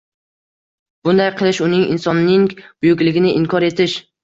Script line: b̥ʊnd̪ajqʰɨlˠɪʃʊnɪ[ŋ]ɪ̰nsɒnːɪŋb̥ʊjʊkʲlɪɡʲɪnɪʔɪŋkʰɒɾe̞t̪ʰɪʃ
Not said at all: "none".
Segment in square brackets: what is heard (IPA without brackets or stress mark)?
ŋ